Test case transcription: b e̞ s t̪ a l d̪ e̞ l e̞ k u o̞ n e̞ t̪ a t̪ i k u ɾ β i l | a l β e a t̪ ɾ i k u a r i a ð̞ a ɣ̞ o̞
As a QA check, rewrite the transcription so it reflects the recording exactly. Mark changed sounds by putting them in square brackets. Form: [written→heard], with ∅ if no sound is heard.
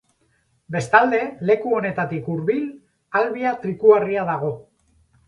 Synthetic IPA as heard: b e̞ s t̪ a l d̪ e̞ l e̞ k u o̞ n e̞ t̪ a t̪ i k u ɾ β i l | a l β [e→i] a t̪ ɾ i k u a r i a ð̞ a ɣ̞ o̞